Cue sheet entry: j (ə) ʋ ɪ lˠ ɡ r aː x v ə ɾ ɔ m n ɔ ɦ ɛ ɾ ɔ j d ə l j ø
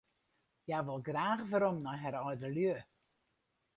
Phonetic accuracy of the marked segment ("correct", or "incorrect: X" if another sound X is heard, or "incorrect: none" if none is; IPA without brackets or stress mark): incorrect: a